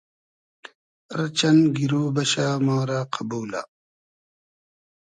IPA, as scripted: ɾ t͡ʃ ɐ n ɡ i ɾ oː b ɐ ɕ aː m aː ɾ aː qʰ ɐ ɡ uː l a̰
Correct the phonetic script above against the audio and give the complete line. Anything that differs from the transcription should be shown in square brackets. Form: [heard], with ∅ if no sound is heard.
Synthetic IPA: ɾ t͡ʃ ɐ n ɡ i ɾ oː b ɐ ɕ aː m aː ɾ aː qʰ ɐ [b] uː l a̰